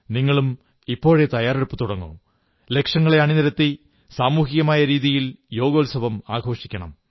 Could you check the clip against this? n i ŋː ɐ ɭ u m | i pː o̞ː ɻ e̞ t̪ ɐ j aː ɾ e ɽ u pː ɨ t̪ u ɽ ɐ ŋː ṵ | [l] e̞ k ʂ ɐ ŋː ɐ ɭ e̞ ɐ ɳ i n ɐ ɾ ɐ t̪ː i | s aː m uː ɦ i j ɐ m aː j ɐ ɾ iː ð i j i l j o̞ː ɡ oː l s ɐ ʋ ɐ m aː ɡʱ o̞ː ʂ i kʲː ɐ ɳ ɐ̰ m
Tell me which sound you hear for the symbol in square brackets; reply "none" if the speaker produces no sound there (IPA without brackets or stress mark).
l